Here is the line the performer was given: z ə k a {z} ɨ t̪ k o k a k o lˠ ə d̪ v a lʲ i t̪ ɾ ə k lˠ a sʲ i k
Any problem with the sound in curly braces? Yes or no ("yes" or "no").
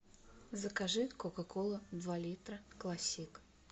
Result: yes